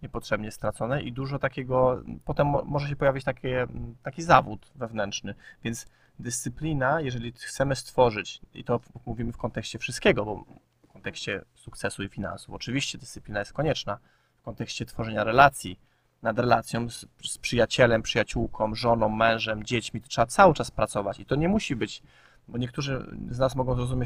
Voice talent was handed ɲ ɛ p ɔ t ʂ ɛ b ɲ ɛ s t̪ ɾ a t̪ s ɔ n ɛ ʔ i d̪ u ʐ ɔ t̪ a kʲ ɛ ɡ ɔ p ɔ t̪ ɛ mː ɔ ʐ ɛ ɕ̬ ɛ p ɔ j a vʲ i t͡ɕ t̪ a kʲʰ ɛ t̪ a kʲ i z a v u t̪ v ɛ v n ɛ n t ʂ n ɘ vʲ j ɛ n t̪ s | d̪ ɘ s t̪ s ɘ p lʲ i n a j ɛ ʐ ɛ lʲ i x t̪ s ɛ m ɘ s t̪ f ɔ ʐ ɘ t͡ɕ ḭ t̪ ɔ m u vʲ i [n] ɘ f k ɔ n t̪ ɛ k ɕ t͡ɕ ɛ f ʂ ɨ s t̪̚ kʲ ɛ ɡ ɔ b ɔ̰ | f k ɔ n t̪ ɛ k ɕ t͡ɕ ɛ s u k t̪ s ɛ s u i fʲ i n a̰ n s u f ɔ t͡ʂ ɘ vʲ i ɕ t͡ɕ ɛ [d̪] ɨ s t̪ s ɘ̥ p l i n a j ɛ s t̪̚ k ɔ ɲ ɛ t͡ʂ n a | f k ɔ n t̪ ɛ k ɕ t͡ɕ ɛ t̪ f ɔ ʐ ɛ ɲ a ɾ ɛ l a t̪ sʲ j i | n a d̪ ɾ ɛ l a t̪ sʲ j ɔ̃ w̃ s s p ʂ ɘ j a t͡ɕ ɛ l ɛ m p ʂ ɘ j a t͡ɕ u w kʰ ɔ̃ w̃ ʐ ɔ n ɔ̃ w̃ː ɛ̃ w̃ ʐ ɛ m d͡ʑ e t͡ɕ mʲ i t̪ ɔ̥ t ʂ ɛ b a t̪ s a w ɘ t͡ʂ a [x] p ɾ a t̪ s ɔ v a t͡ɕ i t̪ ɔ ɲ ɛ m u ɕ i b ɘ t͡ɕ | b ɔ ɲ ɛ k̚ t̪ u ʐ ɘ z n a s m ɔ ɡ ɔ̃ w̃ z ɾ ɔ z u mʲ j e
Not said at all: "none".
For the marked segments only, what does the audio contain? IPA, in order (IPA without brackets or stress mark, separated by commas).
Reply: m, d̪, s